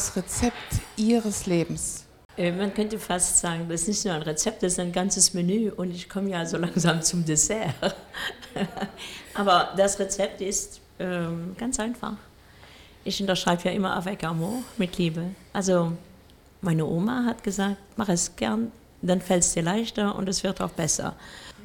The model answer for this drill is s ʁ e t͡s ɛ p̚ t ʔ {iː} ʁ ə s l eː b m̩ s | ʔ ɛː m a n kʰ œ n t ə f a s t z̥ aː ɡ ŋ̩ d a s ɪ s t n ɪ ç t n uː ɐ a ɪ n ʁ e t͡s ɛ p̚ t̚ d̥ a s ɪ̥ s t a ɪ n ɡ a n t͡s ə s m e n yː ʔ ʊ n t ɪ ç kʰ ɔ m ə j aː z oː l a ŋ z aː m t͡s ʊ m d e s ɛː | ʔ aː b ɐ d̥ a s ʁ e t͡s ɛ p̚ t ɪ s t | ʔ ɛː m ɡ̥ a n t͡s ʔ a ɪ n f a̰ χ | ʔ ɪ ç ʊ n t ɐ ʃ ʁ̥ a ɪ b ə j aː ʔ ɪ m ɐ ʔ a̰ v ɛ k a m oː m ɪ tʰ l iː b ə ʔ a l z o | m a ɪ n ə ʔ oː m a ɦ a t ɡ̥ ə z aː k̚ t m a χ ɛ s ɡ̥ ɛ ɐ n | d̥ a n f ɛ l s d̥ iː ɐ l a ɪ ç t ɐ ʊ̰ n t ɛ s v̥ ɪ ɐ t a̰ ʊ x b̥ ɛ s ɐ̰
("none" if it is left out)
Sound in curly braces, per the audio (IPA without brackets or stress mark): iː